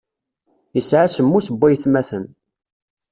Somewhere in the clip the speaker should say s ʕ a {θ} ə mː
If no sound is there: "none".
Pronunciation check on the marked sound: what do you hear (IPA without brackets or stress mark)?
s